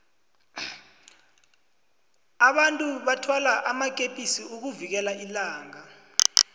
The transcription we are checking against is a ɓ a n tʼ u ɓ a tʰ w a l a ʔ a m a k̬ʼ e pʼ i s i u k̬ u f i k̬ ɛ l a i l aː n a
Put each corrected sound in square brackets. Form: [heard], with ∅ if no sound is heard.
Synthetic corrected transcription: a ɓ a n tʼ u ɓ a tʰ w a l a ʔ a m a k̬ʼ e pʼ i s i u k̬ u [v] i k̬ ɛ l a i l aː [ŋ] a